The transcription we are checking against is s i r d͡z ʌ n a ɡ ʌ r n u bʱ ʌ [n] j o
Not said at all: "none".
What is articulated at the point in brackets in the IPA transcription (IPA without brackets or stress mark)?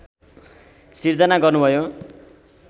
none